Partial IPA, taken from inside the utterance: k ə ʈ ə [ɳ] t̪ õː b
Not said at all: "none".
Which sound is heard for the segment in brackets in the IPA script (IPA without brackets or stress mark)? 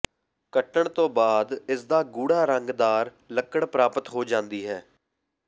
ɳ